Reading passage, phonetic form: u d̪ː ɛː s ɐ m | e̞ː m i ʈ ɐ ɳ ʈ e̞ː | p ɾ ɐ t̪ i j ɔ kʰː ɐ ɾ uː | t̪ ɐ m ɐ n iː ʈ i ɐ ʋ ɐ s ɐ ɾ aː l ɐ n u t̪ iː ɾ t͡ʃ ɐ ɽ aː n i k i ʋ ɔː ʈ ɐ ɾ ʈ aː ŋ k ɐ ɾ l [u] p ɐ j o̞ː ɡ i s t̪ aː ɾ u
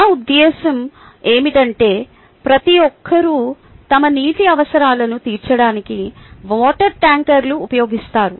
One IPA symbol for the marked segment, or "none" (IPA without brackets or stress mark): uː